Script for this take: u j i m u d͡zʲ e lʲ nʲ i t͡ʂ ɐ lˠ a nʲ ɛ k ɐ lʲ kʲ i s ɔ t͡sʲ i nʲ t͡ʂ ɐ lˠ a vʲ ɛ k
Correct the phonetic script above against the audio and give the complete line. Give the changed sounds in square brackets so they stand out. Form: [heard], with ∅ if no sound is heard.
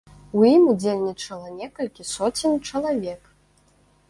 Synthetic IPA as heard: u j i m u d͡zʲ e lʲ nʲ i t͡ʂ ɐ lˠ [ɐ] nʲ ɛ k ɐ lʲ kʲ i s ɔ t͡sʲ i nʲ t͡ʂ ɐ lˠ a vʲ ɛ k